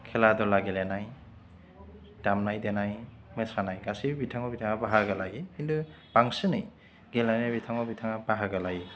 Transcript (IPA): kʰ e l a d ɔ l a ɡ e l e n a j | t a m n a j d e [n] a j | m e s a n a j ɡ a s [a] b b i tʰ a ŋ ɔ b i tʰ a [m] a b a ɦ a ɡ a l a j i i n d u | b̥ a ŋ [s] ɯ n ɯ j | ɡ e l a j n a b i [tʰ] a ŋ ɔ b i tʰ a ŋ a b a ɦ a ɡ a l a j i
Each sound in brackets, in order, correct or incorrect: correct, incorrect: i, incorrect: ŋ, correct, correct

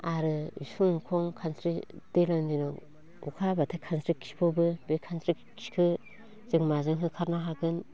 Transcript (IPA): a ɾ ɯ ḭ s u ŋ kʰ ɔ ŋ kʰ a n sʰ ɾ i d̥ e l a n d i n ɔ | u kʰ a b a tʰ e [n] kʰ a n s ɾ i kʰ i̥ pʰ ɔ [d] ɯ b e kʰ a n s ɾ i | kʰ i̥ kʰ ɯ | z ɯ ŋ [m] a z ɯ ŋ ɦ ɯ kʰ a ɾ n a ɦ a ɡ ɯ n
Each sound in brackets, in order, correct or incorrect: incorrect: none, incorrect: b, correct

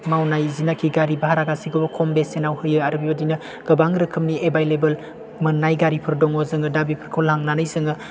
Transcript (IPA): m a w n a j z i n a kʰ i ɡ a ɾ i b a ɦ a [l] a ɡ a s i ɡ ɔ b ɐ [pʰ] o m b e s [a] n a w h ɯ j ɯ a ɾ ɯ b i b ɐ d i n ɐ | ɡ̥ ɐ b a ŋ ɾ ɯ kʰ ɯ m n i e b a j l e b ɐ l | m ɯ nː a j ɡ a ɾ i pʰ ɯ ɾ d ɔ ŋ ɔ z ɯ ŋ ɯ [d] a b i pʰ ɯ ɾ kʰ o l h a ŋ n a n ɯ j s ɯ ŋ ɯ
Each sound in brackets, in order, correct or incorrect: incorrect: ɾ, incorrect: kʰ, incorrect: e, correct

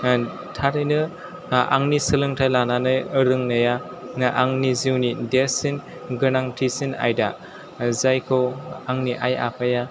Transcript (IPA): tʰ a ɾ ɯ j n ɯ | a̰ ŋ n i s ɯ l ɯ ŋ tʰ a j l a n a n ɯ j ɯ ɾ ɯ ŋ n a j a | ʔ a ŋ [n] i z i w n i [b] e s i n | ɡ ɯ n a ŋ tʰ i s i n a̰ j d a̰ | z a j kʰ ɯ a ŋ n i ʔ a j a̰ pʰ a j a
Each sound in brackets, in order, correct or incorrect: correct, incorrect: d

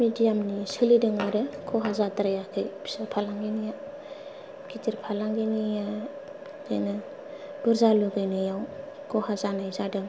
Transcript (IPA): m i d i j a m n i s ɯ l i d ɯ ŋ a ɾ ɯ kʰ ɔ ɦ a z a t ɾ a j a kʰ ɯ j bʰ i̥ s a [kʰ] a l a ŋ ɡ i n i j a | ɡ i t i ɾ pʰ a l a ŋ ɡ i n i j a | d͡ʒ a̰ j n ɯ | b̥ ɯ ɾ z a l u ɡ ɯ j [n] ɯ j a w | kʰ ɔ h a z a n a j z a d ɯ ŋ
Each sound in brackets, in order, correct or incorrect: incorrect: pʰ, correct

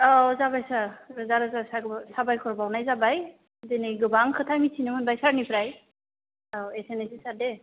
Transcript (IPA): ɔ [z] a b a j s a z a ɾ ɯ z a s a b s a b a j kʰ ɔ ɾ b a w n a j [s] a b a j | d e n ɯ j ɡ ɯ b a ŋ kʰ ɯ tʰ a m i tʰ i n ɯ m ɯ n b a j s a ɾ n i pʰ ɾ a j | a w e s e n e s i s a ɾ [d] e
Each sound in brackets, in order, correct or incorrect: correct, incorrect: z, correct

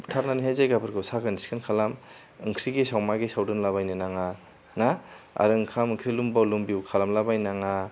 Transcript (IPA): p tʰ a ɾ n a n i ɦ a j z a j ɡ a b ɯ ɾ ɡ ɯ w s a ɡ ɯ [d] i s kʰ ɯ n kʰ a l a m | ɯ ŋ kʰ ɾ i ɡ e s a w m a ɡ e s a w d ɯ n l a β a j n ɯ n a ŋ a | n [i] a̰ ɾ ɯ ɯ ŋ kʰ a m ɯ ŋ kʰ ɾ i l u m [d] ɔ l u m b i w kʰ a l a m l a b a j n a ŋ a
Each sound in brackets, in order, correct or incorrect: incorrect: n, incorrect: a, incorrect: b

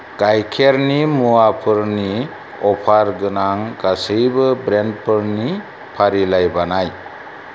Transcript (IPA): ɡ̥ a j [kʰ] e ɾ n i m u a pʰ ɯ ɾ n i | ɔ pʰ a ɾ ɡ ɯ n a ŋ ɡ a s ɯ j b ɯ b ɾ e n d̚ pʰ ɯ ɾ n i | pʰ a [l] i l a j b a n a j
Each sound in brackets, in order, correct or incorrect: correct, incorrect: ɾ

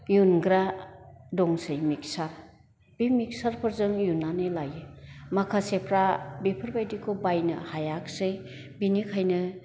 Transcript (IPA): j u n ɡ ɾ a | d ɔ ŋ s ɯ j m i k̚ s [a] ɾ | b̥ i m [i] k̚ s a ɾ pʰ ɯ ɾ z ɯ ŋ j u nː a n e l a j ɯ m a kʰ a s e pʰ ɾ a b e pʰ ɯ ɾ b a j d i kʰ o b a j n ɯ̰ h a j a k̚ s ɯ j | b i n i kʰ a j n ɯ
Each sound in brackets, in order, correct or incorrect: correct, correct

